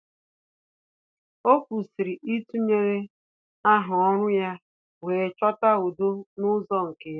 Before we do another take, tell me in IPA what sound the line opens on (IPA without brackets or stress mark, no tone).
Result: o